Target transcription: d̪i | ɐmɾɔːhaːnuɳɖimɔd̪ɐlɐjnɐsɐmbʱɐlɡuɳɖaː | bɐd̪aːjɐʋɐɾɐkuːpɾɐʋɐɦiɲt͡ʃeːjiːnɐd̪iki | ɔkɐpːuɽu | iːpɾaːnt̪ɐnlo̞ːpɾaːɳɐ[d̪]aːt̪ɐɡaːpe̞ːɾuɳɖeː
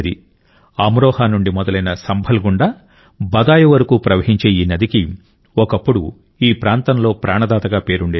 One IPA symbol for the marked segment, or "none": d̪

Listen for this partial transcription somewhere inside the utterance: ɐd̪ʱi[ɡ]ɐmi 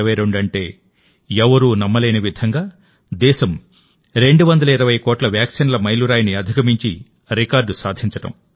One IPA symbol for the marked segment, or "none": k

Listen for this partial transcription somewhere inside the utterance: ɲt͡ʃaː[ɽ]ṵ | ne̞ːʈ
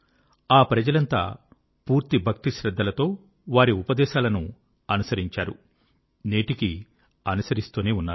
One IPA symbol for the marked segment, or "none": ɾ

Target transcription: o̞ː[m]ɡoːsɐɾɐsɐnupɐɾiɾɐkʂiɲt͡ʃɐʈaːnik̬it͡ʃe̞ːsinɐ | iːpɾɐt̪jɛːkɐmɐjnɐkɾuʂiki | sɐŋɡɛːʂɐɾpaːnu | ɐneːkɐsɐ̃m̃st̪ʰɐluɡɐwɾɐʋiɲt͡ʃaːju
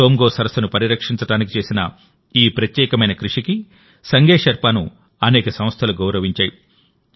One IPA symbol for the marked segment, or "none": m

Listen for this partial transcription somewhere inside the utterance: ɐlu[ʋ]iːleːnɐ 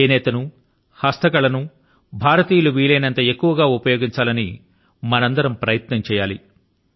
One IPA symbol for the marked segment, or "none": ʋ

